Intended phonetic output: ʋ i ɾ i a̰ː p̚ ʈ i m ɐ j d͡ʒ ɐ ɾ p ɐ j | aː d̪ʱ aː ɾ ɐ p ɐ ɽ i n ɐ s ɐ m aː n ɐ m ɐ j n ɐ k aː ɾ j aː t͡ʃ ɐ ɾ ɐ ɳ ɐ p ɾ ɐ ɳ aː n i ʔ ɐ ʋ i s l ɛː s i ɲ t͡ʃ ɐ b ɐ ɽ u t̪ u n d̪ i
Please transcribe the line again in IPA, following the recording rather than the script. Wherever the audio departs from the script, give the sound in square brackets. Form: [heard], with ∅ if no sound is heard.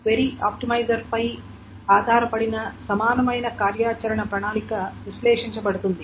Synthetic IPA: ʋ [e] ɾ i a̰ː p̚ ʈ i m ɐ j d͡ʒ ɐ ɾ p ɐ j | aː d̪ʱ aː ɾ ɐ p ɐ ɽ i n ɐ s ɐ m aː n ɐ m ɐ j n ɐ k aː ɾ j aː t͡ʃ ɐ ɾ ɐ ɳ ɐ p ɾ ɐ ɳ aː n i [k] ɐ ʋ i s l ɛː [ʂ] i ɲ t͡ʃ ɐ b ɐ ɽ u t̪ u n d̪ i